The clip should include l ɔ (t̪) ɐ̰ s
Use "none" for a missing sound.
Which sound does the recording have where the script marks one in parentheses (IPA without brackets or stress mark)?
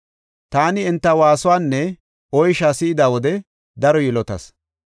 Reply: t̪